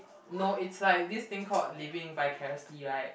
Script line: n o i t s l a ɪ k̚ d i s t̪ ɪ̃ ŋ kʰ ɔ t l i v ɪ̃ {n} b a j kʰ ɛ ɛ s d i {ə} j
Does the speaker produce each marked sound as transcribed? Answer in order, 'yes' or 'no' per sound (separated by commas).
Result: no, no